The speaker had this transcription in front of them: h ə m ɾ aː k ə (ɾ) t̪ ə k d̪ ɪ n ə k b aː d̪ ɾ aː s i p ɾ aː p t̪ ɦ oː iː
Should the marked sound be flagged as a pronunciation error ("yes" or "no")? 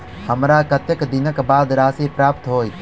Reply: yes